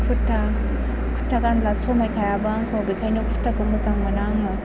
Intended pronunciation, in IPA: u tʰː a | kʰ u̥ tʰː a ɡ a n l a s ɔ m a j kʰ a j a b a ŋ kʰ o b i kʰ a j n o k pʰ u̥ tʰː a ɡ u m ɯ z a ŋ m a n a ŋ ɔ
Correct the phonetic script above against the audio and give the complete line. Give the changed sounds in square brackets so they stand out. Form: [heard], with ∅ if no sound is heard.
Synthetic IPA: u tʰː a | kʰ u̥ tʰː a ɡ a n l a s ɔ m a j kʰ a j a b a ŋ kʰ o b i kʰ a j n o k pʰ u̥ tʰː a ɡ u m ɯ z a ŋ m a n a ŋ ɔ